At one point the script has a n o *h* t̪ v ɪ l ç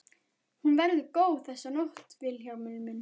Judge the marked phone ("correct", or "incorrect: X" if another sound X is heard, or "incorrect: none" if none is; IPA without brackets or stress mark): correct